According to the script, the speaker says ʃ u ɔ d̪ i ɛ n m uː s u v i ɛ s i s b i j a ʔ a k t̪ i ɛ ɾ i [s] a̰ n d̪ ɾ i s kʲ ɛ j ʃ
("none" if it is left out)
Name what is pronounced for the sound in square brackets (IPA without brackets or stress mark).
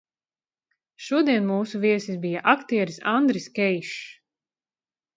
s